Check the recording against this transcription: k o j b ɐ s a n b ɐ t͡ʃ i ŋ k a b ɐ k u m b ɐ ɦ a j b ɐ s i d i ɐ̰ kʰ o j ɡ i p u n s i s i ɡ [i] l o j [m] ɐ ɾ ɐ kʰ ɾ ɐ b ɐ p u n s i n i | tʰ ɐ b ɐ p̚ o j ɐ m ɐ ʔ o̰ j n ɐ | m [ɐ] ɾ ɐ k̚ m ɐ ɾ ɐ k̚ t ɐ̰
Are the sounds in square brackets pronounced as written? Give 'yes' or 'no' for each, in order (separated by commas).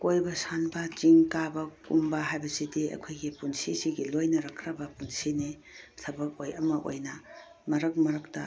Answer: yes, no, yes